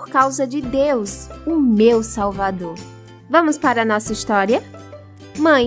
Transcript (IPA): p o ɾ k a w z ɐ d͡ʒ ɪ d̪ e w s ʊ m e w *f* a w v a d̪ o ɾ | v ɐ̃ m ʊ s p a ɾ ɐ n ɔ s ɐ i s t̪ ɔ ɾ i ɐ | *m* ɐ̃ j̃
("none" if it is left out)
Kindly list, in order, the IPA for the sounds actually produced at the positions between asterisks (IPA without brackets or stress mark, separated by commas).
s, m